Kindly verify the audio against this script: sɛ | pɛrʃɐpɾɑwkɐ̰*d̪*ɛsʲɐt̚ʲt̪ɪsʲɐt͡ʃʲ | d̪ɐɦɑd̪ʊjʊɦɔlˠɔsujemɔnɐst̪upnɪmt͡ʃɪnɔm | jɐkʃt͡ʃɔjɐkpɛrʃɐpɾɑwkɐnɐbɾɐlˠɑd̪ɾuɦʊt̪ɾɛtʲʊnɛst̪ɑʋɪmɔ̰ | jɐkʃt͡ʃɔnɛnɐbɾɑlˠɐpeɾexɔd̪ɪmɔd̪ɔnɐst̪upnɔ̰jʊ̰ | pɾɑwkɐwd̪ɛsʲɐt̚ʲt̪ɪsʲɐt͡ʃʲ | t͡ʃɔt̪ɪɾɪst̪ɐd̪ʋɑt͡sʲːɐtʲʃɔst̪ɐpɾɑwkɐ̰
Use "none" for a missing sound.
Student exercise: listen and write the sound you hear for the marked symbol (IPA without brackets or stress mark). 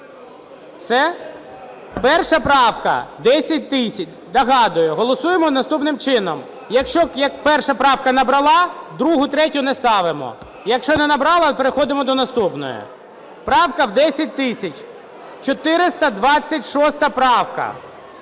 d̪